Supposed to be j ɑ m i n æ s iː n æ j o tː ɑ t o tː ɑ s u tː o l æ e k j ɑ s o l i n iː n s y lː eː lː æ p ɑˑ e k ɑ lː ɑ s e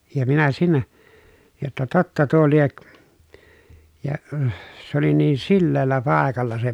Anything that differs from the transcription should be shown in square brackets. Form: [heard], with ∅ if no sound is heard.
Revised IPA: j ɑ m i n æ s iː n æ j o tː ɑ t o tː ɑ [t] u [∅] o l [i] e k j ɑ s o l i n iː n s [i] lː eː lː æ p ɑˑ e k ɑ lː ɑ s e

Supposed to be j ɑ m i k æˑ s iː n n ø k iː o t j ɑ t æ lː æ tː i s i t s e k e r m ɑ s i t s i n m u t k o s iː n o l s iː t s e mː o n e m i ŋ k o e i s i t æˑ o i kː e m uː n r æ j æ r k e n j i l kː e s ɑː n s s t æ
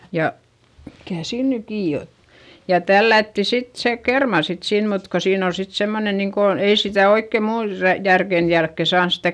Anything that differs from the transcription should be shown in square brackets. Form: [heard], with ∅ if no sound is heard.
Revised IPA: j ɑ m i k æˑ s iː n n [y] k iː o t j ɑ t æ lː æ tː i s i t s e k e r m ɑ s i t s i n m u t k o s iː n o l s [i] t s e mː o n e [n] i ŋ k o e i s i t æˑ o i kː e m uː n r æ j æ r k e n j [æ] l kː e s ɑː n s s t æ

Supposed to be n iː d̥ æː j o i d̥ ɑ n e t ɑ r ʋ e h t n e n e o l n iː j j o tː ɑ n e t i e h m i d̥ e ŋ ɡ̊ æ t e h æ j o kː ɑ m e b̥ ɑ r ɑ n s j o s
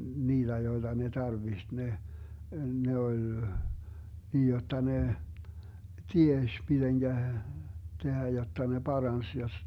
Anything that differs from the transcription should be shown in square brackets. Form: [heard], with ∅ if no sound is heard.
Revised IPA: n iː d̥ [æ] j o i d̥ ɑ n e t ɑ r ʋ [i] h t n e n e o l n iː j j o tː ɑ n e t i e [ʃ] m i d̥ e ŋ ɡ̊ æ t e h æ j o [tː] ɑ [n] e b̥ ɑ r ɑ n s j o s

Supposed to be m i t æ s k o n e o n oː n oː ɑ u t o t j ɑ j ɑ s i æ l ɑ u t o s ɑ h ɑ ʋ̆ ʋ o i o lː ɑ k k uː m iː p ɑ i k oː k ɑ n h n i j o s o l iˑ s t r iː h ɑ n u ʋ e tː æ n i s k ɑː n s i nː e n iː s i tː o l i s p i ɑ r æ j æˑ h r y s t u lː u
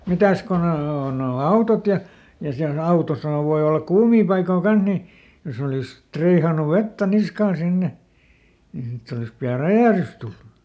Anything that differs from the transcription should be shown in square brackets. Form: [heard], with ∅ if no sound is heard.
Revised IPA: m i t æ s k o n e o n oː n oː ɑ u t o t j ɑ j ɑ s i æ l ɑ u t o s ɑ h ɑ ʋ̆ ʋ o i o lː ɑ k k uː m iː p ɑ i k oː k ɑ n h n i j o s o l iˑ s t r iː h ɑ n u ʋ e tː æ n i s k ɑː n s i nː e n iː s i tː o l i s p i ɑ r æ j æˑ h r y s t u lː u

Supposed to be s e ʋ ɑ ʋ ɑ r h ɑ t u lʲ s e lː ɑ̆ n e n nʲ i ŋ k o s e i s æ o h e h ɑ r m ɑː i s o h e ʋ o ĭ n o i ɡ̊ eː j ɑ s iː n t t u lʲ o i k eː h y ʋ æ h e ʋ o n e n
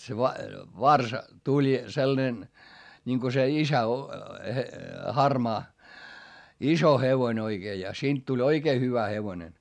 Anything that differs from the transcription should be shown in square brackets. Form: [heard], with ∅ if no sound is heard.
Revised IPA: s e ʋ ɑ ʋ ɑ r [s] ɑ t u lʲ s e lː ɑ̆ n e n nʲ i ŋ k o s e i s æ o h e h ɑ r m ɑː i s o h e ʋ o ĭ n o i ɡ̊ eː j ɑ s iː n t t u lʲ o i k eː h y ʋ æ h e ʋ o n e n

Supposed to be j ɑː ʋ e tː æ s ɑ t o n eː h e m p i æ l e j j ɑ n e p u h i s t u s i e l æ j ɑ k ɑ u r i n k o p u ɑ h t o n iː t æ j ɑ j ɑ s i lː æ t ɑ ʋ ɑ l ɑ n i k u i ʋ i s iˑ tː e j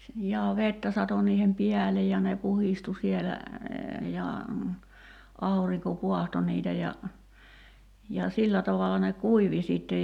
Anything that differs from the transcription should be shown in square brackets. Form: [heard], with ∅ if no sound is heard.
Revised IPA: j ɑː ʋ e tː æ s ɑ t o n [iː] h e m p i æ l e j j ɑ n e p u h i s t u s i e l æ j ɑ [∅] ɑ u r i [ŋ] k o p u ɑ h t o n iː t æ j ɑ j ɑ s i lː æ t ɑ ʋ ɑ l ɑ n [e] k u i ʋ i s iˑ tː e j

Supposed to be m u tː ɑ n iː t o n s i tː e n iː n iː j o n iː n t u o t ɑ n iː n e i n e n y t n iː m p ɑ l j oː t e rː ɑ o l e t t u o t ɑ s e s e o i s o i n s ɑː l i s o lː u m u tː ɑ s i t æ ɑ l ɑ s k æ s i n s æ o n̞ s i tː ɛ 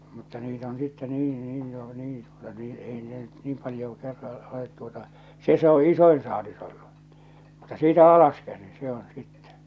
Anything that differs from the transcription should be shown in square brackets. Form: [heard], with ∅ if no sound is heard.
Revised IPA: m u tː ɑ n iː t o n s i tː e n iː n iː j o n iː n t u o t ɑ n iː n e i n e n y t n iː m p ɑ l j oː [k] e rː ɑ o l e t t u o t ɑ s e s e o i s o i n s ɑː l i s o lː u m u tː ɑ s [iː] t æ ɑ l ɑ s k æ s i n s [e] o n̞ s i tː ɛ

